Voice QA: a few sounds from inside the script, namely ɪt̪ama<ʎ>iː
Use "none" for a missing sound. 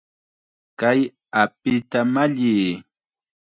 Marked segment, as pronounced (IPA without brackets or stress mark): ʎ